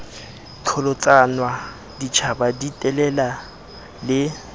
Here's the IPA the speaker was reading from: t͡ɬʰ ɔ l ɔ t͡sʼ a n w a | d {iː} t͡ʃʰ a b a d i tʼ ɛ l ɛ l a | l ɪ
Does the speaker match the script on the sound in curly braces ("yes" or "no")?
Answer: no